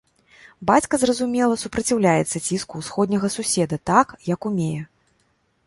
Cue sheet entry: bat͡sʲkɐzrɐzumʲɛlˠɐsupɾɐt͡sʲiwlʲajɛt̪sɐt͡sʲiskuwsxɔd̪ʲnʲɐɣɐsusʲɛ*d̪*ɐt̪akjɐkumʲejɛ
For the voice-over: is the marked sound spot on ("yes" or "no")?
yes